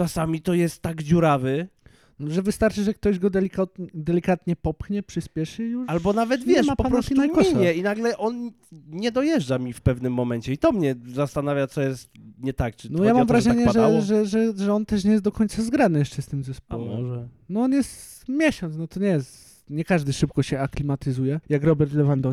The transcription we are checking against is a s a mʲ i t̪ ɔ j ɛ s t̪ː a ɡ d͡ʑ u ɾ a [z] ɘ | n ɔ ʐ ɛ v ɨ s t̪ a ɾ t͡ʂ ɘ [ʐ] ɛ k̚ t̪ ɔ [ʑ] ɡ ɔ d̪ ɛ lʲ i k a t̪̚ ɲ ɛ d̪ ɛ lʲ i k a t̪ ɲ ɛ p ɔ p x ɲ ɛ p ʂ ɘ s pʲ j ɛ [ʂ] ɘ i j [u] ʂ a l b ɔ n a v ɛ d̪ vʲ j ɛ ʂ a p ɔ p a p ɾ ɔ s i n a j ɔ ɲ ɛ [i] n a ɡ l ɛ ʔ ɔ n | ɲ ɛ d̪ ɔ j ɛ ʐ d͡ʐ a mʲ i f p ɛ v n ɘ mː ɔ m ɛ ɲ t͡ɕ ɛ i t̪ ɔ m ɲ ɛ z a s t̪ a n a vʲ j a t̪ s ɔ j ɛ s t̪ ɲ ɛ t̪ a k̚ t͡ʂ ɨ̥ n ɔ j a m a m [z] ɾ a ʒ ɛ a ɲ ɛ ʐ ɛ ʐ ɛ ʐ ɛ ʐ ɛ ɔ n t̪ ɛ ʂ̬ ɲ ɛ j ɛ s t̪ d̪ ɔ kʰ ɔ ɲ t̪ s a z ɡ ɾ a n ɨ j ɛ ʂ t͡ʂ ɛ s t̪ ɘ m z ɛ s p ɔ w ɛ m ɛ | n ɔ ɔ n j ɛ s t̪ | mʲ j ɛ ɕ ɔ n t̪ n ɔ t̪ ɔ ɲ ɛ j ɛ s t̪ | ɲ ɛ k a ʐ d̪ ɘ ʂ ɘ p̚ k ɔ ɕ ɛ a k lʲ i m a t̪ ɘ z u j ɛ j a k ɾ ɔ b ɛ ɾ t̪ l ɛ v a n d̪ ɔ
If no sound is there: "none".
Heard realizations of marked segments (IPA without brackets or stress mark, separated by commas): v, ʐ, ʑ, ʂ, u, i, v